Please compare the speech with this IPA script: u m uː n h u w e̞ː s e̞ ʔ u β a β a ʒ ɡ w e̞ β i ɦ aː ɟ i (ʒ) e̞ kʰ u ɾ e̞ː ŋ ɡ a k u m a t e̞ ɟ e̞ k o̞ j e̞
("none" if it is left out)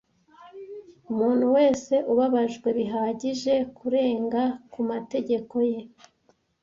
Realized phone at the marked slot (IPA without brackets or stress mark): ʒ